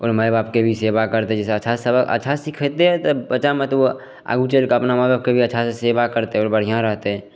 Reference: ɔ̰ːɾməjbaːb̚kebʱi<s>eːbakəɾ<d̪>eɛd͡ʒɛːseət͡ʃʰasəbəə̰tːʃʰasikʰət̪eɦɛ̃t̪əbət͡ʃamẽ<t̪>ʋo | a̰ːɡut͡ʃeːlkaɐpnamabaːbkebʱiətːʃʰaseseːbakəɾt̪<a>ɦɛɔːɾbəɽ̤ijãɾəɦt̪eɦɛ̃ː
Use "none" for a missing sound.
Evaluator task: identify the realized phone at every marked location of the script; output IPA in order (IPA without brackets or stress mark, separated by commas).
s, t̪, t̪, e